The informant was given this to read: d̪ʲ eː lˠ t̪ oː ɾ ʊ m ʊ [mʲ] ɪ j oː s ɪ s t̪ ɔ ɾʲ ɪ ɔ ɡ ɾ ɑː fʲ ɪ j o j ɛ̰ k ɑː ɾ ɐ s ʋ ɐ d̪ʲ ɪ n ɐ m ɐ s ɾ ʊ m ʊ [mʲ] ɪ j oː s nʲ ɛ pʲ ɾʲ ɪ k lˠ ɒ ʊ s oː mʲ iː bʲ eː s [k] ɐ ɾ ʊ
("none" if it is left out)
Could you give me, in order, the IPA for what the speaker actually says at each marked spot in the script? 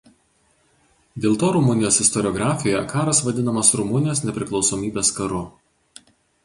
nʲ, nʲ, k

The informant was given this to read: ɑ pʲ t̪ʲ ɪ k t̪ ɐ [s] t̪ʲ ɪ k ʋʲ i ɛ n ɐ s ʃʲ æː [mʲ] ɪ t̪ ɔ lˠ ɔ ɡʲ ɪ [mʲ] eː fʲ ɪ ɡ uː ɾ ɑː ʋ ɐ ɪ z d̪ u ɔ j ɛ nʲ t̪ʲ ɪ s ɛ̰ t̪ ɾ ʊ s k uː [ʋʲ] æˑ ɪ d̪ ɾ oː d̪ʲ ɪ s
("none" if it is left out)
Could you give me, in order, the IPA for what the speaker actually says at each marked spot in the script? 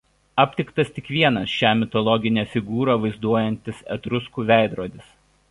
s, mʲ, nʲ, ʋʲ

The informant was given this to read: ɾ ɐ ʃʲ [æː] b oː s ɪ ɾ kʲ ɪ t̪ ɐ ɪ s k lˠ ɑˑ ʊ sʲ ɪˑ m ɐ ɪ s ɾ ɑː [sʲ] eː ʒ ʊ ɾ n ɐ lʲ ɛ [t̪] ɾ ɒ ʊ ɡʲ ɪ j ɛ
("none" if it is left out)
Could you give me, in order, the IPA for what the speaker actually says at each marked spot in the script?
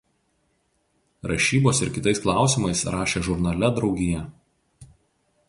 iː, ʃʲ, d̪

